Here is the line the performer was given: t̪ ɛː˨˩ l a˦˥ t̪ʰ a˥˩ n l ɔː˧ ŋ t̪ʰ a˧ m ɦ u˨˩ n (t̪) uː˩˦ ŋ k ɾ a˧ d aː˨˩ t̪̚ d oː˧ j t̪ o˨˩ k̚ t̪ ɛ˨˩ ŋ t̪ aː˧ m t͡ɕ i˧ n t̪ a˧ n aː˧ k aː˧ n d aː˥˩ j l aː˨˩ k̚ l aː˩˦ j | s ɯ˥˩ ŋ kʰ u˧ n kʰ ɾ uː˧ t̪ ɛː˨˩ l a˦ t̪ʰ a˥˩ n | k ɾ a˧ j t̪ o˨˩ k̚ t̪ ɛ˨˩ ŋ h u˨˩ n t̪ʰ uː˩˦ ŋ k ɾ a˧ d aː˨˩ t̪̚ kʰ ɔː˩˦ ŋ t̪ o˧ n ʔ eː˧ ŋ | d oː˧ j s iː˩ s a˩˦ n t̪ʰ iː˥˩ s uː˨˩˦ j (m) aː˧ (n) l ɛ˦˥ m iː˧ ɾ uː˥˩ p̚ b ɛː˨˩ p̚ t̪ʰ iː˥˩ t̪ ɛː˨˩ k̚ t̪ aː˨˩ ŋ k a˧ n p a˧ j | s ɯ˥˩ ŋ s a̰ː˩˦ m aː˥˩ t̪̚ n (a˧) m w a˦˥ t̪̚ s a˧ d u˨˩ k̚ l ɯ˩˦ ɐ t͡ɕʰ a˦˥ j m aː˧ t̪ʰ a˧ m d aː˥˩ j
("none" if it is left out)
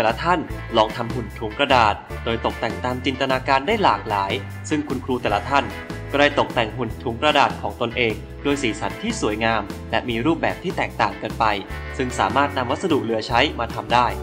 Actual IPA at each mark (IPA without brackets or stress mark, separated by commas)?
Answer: t̪ʰ, ŋ, m, a˧